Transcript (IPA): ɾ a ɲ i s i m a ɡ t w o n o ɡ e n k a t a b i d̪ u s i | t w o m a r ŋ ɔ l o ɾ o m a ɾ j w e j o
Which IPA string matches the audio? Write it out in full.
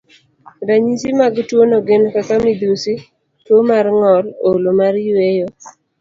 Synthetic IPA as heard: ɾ a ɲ i s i m a ɡ t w o n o ɡ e n k a k a m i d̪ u s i | t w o m a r ŋ ɔ l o l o m a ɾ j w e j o